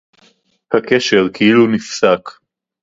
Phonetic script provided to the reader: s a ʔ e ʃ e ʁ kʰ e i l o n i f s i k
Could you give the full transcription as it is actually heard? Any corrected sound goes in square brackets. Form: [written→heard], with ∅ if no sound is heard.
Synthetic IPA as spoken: [s→h] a [ʔ→k] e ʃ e ʁ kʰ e i l [o→u] n i f s [i→a] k